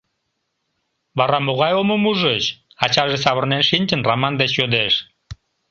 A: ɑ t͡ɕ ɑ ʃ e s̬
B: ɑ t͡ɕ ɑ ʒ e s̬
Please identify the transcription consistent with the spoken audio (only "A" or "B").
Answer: B